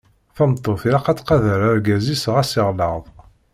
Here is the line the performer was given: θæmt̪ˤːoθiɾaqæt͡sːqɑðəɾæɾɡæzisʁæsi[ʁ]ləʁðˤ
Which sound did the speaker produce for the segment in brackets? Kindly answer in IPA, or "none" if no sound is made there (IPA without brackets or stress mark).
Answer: ʁ